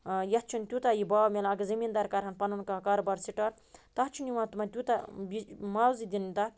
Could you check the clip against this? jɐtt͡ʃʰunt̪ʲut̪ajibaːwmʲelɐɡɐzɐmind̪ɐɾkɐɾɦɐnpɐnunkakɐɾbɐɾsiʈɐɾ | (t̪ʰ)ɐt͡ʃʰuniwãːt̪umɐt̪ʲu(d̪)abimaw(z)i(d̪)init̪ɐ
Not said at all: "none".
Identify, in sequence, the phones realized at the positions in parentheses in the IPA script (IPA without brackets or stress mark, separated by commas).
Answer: t̪, t̪, z, d̪